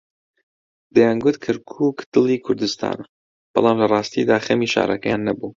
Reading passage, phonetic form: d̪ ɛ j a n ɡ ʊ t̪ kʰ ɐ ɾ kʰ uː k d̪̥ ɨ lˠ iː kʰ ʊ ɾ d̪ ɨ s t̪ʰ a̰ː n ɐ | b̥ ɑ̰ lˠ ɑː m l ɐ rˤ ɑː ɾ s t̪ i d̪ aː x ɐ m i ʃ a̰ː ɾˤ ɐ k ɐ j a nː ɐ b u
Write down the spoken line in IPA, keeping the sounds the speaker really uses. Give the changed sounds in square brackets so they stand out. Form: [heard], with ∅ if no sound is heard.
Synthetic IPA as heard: d̪ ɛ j a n ɡ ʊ t̪ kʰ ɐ ɾ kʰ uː k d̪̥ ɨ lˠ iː kʰ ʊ ɾ d̪ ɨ s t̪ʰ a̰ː n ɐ | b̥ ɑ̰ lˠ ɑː m l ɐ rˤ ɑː [∅] s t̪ i d̪ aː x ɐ m i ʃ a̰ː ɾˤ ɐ k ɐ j a nː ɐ b u